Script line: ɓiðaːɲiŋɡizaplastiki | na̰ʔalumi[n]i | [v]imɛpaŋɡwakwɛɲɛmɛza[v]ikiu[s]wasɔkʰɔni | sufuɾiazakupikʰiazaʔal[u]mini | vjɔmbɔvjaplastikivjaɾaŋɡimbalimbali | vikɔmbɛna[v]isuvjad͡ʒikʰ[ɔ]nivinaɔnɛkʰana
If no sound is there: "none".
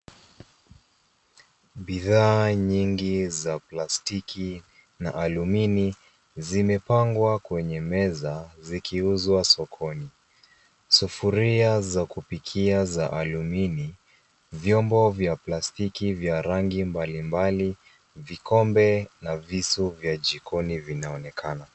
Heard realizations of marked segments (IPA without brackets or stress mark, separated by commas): n, z, z, z, u, v, ɔ